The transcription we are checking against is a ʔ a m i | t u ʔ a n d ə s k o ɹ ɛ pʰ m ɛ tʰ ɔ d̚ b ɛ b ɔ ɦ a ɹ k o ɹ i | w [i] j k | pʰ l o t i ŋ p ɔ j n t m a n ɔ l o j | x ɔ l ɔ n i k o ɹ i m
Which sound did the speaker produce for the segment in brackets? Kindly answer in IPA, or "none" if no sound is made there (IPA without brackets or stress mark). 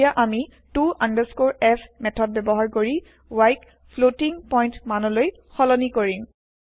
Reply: a